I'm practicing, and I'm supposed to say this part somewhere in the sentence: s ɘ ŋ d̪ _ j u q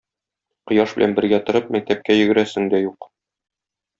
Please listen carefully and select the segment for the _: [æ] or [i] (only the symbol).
æ